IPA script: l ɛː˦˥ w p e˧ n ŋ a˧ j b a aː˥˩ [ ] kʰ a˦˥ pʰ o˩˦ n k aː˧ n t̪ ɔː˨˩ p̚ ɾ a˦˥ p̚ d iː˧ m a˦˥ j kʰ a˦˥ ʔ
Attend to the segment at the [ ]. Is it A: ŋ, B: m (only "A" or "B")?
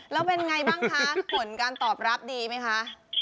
A